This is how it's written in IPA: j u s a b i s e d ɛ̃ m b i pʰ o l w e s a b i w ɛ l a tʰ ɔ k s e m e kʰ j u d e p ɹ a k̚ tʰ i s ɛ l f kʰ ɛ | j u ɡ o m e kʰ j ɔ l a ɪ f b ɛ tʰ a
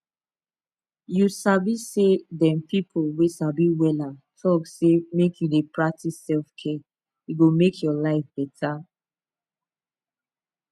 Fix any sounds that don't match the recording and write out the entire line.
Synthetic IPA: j u s a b i s e d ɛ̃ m p i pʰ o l w e s a b i w ɛ l a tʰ ɔ k s e m e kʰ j u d e p ɹ a k̚ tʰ i s ɛ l f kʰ ɛ | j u ɡ o m e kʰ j ɔ l a ɪ f b ɛ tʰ a